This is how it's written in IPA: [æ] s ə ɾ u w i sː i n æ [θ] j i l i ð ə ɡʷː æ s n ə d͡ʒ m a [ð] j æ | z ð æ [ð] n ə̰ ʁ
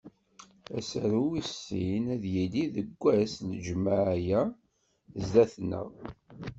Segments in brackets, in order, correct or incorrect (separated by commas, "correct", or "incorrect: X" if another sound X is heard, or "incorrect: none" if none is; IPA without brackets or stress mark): correct, incorrect: ð, incorrect: ʕ, incorrect: θ